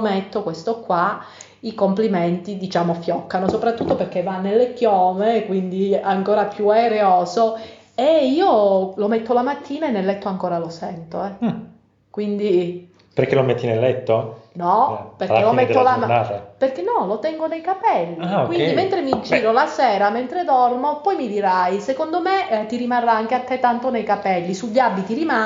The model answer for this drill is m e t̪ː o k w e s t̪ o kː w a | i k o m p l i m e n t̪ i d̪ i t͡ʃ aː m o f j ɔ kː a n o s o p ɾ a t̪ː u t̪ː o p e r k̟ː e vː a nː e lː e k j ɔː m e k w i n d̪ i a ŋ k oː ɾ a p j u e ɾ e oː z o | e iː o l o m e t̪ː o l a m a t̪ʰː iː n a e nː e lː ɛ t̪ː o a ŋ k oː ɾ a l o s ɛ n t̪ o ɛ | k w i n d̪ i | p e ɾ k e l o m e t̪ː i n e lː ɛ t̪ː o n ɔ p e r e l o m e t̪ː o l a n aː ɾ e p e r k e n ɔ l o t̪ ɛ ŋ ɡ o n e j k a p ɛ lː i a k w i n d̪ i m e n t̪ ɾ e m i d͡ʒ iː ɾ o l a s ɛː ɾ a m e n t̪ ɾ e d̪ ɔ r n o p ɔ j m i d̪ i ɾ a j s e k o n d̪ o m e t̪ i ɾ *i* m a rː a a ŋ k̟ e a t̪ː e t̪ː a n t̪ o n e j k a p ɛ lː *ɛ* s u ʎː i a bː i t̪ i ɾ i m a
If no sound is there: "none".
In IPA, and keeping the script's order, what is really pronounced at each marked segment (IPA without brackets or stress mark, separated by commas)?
i, i